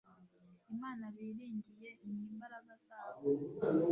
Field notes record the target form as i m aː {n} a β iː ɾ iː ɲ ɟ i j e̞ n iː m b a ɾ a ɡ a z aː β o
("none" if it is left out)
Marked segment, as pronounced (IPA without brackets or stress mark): n